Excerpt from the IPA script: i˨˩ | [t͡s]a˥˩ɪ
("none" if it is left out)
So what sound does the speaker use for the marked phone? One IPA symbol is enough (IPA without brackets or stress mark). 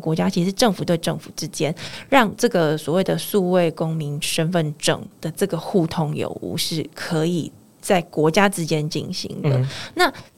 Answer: t͡s